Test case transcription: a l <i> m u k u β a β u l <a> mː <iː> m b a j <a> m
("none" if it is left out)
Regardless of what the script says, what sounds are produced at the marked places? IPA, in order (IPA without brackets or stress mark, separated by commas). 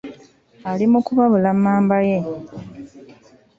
i, a, aː, e